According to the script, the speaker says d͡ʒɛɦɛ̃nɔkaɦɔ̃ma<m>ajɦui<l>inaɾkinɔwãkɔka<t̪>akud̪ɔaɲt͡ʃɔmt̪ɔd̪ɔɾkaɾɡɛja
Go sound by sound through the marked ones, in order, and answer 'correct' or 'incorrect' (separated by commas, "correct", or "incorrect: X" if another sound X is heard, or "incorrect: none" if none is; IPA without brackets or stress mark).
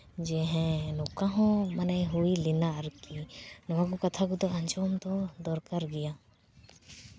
incorrect: n, correct, incorrect: t̪ʰ